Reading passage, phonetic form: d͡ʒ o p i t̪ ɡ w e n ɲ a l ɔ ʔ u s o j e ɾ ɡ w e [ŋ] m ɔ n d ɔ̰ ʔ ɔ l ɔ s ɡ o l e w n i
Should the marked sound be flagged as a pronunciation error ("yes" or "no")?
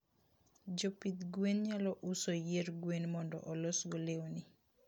yes